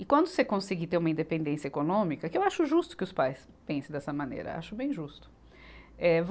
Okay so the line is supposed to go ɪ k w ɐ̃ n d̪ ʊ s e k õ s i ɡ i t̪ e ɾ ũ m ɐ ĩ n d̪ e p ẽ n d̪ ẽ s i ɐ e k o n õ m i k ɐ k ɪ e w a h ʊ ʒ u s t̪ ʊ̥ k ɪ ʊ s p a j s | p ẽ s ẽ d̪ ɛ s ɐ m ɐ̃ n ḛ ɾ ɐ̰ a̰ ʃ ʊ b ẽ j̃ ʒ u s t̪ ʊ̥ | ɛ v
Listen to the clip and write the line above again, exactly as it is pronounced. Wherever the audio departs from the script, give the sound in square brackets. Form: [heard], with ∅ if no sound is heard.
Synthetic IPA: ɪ k w ɐ̃ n d̪ ʊ s e k õ s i ɡ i t̪ e ɾ ũ m ɐ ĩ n d̪ e p ẽ n d̪ ẽ s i ɐ e k o n õ m i k ɐ k ɪ e w a [ʃ] ʊ ʒ u s t̪ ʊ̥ k ɪ ʊ s p a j s | p ẽ s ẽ d̪ ɛ s ɐ m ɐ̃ n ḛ ɾ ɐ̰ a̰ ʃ ʊ b ẽ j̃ ʒ u s t̪ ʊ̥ | ɛ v